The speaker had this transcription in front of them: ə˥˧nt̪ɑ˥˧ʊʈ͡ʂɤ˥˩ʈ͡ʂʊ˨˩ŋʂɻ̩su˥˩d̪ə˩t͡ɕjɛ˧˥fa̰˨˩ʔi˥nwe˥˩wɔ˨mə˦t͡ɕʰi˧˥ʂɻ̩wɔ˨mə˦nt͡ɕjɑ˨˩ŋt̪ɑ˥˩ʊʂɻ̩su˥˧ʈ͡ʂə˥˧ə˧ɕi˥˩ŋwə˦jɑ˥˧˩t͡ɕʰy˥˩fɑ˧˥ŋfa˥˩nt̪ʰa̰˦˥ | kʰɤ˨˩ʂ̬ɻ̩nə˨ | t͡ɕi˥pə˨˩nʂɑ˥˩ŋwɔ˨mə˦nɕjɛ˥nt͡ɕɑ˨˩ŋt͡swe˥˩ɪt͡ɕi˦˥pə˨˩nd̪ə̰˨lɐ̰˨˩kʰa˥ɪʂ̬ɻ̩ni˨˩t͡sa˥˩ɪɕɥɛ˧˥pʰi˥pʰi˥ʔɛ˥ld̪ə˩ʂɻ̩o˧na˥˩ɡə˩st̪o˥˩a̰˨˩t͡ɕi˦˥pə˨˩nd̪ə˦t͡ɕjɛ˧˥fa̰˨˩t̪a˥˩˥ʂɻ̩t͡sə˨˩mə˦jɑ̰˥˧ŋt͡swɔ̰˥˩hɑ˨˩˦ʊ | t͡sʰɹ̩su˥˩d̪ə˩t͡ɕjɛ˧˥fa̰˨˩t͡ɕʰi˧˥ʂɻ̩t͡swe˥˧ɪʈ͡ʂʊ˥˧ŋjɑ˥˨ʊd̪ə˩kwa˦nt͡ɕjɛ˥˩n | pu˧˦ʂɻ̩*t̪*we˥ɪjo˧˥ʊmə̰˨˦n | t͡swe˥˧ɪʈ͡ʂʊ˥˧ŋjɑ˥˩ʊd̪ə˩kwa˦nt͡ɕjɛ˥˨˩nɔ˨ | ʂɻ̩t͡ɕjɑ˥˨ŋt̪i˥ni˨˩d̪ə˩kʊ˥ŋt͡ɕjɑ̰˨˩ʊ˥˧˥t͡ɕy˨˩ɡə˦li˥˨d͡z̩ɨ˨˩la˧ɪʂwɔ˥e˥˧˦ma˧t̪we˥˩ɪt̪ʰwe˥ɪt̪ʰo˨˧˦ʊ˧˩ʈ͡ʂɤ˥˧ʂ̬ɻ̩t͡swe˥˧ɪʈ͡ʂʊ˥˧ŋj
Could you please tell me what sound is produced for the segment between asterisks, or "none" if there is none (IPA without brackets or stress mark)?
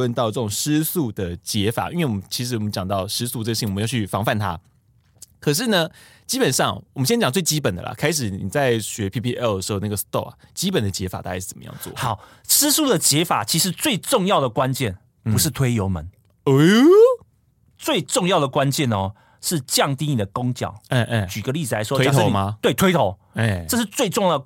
t̪ʰ